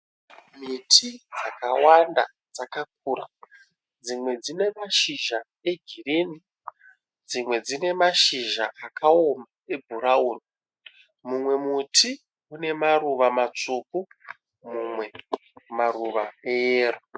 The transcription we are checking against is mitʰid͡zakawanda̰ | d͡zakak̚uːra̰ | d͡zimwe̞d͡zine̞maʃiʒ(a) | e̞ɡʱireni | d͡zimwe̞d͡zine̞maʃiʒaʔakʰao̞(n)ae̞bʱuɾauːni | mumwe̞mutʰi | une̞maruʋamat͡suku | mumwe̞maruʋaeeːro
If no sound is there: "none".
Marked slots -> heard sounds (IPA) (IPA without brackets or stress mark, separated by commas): a, m